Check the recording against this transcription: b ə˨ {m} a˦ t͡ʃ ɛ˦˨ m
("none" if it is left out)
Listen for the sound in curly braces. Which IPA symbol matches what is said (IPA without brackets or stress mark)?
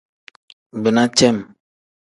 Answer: n